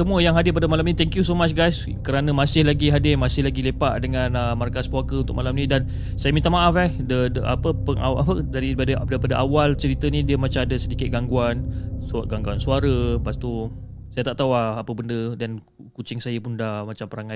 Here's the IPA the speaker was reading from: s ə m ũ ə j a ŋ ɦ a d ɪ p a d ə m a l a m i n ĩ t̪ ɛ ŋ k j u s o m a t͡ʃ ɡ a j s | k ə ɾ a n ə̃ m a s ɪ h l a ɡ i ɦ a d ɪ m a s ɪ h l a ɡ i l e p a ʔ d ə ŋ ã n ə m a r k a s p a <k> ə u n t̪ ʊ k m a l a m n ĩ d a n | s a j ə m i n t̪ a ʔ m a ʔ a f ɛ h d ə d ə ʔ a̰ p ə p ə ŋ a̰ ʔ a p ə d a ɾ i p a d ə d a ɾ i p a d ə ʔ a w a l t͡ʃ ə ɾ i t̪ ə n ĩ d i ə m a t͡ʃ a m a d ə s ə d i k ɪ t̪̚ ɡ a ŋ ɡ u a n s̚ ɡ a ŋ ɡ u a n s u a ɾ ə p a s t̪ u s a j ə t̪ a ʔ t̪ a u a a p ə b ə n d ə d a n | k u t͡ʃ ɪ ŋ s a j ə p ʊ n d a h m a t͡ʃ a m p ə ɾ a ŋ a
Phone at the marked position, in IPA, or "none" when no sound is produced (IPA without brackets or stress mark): k